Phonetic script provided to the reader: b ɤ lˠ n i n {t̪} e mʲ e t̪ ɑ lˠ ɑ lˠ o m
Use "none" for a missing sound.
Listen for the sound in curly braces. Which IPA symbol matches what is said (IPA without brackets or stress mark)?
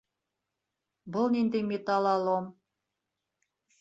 d̪